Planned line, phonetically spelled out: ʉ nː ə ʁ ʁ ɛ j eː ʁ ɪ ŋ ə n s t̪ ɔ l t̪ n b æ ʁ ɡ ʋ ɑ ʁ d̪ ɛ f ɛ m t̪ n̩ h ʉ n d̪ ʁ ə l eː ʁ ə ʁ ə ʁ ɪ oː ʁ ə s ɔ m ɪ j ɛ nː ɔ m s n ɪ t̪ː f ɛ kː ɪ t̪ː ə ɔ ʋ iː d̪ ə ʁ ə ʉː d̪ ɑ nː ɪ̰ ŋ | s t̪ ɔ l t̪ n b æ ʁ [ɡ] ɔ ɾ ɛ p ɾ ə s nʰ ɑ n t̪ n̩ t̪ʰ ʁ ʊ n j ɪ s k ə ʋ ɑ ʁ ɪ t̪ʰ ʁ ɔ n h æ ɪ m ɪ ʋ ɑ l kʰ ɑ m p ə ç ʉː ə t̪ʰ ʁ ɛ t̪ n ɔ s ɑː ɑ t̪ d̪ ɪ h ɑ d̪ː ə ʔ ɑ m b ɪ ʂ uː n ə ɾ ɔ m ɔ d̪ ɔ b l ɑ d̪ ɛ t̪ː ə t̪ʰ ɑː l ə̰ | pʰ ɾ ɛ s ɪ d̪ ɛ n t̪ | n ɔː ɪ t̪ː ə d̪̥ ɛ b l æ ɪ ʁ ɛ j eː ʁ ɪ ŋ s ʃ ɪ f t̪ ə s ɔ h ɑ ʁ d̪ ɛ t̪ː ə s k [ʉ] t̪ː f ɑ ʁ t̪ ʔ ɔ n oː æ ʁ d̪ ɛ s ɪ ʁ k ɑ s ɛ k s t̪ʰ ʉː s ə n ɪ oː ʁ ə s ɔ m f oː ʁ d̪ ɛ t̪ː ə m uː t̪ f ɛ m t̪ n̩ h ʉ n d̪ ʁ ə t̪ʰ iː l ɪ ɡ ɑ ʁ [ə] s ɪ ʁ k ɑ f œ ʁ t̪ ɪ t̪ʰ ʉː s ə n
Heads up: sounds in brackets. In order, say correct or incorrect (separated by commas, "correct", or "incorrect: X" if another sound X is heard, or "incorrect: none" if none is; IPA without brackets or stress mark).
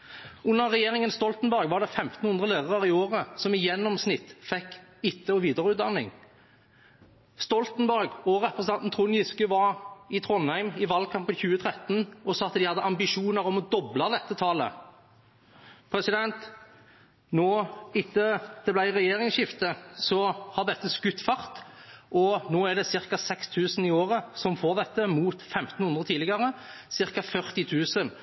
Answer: correct, correct, correct